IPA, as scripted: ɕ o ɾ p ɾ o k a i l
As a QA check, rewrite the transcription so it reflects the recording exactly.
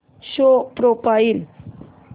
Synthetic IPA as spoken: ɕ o p ɾ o p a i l